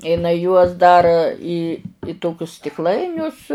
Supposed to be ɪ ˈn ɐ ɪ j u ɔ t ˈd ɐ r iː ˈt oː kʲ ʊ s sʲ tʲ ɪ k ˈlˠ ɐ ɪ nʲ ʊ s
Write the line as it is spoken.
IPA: ɪ ˈn ɐ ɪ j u ɔ s ˈd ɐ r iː ˈt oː kʲ ʊ s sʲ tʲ ɪ k ˈlˠ ɐ ɪ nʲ ʊ s